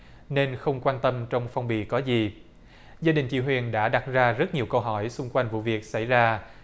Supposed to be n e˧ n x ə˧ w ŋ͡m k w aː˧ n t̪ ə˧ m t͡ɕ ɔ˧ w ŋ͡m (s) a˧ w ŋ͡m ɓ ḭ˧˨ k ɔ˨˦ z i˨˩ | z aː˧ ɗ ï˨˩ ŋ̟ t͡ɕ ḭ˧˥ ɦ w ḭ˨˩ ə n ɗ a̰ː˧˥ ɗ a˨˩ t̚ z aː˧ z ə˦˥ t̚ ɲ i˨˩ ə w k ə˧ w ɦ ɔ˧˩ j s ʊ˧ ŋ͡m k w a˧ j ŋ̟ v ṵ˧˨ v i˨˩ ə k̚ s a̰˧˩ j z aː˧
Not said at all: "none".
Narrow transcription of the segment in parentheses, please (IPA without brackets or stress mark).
f